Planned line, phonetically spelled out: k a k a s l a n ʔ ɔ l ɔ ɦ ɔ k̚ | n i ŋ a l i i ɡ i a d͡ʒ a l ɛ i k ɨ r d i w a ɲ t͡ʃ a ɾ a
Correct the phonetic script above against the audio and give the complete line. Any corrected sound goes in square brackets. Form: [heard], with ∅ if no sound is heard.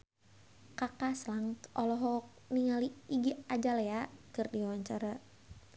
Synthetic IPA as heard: k a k a s l a [ŋ] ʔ ɔ l ɔ ɦ ɔ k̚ | n i ŋ a l i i ɡ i a d͡ʒ a l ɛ [a] k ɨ r d i w a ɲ t͡ʃ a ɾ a